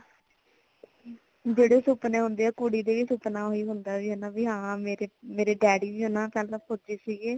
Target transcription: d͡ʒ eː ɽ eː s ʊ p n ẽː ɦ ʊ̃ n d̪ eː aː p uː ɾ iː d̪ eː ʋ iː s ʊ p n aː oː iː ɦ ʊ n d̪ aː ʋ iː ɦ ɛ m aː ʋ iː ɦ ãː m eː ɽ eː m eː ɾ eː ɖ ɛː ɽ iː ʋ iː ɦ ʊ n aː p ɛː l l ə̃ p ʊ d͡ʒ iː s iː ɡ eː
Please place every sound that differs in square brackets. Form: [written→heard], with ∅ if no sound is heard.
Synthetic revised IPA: d͡ʒ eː ɽ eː s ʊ p n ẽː ɦ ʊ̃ n d̪ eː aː [p→k] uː [ɾ→ɽ] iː d̪ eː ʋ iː s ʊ p n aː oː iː ɦ ʊ n d̪ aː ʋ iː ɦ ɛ [m→n] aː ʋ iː ɦ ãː m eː [ɽ→ɾ] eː m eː ɾ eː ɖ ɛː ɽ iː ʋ iː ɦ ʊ n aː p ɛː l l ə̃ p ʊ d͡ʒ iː s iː ɡ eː